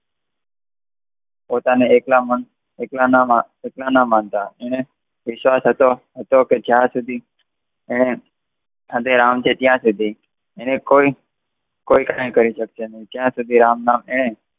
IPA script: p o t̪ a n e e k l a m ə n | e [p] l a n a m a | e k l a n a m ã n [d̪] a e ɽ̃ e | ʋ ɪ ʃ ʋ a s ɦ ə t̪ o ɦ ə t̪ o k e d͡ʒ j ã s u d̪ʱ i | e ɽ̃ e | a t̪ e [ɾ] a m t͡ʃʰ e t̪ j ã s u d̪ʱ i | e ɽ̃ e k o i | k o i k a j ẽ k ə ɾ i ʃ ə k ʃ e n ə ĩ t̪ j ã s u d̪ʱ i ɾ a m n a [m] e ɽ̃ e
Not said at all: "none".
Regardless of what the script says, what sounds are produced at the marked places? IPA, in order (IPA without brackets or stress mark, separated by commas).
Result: k, t̪, ɾ, m